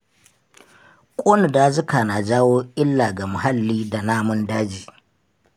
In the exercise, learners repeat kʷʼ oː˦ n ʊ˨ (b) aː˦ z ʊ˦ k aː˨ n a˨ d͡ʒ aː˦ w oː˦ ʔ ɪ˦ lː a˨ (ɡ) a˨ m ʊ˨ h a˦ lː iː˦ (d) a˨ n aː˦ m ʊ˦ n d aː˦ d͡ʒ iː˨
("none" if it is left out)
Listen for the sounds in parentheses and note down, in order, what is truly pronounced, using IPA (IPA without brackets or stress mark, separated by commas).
d, ɡ, d